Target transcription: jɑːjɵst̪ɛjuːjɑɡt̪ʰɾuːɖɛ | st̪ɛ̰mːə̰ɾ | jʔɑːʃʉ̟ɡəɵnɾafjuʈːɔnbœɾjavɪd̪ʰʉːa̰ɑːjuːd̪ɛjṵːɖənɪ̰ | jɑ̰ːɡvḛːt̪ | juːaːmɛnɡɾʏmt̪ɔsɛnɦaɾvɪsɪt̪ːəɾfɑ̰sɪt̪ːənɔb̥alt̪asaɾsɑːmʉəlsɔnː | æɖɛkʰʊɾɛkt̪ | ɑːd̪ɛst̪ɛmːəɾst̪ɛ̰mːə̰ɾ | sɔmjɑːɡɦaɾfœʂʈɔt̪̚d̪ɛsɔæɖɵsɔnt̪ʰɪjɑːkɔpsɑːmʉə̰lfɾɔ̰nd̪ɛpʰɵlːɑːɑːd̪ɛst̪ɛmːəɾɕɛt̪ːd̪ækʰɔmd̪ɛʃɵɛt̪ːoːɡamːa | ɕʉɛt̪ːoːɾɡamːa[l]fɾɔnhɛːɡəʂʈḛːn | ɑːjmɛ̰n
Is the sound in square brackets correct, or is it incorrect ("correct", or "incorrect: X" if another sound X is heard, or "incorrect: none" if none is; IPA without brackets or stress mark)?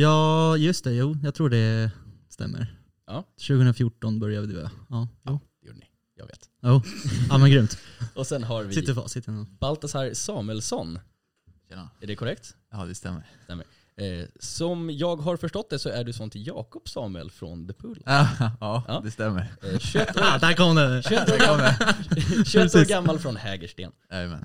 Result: correct